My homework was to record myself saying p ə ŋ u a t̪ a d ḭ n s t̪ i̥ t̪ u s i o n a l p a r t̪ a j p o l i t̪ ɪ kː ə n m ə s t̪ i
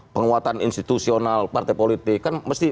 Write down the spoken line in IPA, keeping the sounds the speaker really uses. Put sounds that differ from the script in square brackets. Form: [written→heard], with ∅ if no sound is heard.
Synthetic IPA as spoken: p ə ŋ u a t̪ a [d→n] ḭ n s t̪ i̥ t̪ u s i o n a l p a r t̪ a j p o l i t̪ ɪ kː [ə→a] n m ə s t̪ i